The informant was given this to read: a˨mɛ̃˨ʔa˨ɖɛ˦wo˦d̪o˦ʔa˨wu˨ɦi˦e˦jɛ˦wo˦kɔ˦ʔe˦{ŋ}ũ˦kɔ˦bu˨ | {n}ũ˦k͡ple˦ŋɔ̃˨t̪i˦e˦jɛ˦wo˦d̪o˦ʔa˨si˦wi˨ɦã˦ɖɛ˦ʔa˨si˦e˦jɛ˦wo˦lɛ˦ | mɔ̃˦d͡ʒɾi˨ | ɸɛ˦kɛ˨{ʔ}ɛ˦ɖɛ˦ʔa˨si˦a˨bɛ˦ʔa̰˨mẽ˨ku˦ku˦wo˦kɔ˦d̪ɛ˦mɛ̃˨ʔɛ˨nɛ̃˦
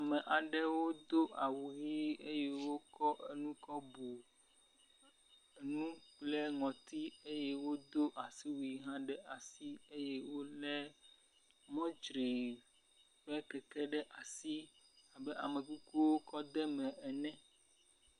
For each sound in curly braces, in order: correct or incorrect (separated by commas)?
incorrect, correct, incorrect